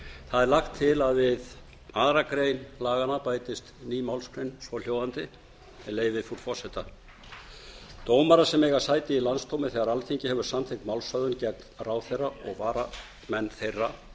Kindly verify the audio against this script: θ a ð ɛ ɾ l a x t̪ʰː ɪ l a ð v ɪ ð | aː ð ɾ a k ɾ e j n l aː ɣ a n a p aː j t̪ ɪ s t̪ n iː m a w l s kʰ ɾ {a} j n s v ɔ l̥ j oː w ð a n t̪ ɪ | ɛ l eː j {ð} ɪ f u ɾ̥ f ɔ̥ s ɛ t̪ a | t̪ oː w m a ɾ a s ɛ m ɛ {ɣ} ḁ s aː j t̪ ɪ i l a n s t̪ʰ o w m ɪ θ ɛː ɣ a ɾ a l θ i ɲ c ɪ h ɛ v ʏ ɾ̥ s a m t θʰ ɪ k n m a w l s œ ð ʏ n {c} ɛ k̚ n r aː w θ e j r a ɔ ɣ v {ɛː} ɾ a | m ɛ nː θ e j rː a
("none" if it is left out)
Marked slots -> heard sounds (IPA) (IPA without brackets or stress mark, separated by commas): e, v, ɣ, c, aː